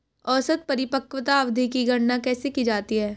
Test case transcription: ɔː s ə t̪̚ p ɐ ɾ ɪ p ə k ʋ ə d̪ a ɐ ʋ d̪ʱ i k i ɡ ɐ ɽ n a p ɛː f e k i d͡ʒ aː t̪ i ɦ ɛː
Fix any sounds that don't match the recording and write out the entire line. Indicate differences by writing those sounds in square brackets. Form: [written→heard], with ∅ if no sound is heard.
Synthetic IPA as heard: ɔː s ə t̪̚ p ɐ ɾ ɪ p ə k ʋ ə [d̪→t̪] a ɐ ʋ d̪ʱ i k i ɡ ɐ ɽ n a [p→k] ɛː [f→s] e k i d͡ʒ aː t̪ i ɦ ɛː

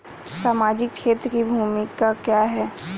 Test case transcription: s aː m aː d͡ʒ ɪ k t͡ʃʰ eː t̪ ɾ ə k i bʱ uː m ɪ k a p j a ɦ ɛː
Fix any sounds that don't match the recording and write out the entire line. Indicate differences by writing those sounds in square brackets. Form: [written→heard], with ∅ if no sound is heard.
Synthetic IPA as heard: s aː m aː d͡ʒ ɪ k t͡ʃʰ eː t̪ ɾ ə k i bʱ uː m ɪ k a [p→k] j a ɦ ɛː

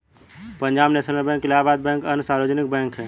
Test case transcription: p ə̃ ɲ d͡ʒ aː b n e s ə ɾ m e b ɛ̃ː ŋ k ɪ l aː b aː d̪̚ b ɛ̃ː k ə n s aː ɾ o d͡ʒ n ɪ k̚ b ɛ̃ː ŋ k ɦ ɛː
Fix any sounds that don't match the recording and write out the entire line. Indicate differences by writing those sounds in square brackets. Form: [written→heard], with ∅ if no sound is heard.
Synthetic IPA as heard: p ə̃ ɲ d͡ʒ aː b n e s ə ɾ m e b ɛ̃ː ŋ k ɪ l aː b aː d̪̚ b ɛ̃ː k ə n s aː ɾ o d͡ʒ n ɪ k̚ b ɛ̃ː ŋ k ɦ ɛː

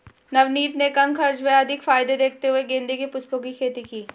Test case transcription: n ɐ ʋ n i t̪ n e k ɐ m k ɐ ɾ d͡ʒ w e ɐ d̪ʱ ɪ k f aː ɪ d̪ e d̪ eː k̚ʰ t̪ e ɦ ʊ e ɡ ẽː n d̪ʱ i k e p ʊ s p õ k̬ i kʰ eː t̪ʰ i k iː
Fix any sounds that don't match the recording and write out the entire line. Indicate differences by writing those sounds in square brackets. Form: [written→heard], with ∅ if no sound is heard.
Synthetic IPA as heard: n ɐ ʋ n [i→iː] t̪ n e k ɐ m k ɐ ɾ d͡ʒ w e ɐ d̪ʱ ɪ k f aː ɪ d̪ e d̪ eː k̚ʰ t̪ e ɦ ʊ e ɡ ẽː n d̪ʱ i k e p ʊ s p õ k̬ i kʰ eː [t̪ʰ→t̪] i k iː

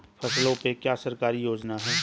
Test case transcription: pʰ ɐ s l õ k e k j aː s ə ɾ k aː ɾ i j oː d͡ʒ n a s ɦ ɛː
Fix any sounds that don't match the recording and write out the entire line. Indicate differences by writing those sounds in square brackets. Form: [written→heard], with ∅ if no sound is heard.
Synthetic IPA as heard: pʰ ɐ s l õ [k→p] e k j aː s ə ɾ k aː ɾ i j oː d͡ʒ n a [s→∅] ɦ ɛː

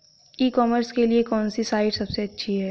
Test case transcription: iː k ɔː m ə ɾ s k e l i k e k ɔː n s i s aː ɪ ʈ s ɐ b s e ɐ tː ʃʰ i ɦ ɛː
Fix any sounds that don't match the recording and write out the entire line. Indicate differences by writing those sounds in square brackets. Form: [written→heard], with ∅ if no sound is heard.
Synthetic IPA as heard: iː k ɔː m ə ɾ s k e l i [k→∅] e k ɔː n s i s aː ɪ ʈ s ɐ b s e ɐ tː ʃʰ i ɦ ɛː

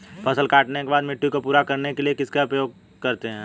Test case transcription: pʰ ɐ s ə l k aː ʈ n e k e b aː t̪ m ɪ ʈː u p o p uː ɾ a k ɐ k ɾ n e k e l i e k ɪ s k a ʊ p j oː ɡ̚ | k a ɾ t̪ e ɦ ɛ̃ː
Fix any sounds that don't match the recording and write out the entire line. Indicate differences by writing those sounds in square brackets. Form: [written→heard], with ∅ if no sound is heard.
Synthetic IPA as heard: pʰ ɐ s ə l k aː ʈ n e k e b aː [t̪→d̪] m ɪ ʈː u [p→k] o p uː ɾ a k ɐ [k→∅] ɾ n e k e l i e k ɪ s k a ʊ p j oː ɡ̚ | k [a→ɐ] ɾ t̪ e ɦ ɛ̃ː

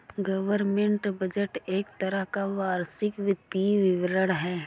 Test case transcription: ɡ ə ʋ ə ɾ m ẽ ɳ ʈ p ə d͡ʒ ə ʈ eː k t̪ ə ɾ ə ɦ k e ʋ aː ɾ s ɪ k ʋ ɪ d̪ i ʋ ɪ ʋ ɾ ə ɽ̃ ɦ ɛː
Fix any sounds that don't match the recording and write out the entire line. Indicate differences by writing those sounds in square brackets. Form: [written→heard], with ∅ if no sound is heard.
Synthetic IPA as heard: ɡ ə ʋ ə ɾ m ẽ ɳ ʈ [p→b] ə d͡ʒ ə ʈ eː k t̪ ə ɾ ə ɦ k [e→a] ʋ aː ɾ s ɪ k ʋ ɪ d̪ i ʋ ɪ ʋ ɾ ə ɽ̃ ɦ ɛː

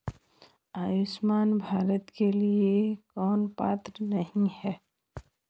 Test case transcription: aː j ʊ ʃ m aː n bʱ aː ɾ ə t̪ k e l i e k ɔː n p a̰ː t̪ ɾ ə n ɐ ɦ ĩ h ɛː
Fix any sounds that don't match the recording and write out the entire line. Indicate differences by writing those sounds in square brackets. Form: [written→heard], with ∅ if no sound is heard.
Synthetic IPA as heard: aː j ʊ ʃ m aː n bʱ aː ɾ ə t̪ k e l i e k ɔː n p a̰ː t̪ ɾ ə n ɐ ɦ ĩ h ɛː

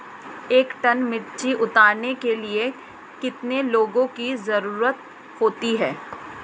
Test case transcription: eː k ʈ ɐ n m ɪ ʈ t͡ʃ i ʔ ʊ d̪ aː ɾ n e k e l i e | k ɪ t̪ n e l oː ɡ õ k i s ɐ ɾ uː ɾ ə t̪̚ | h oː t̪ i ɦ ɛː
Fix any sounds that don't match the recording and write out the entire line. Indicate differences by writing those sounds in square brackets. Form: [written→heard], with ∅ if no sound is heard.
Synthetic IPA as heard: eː k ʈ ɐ n m ɪ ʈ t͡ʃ i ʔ ʊ [d̪→t̪] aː ɾ n e k e l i e | k ɪ t̪ n e l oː ɡ õ k i [s→z] ɐ ɾ uː ɾ ə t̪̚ | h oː t̪ i ɦ ɛː

